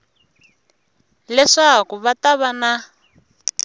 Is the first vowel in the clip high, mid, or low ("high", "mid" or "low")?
mid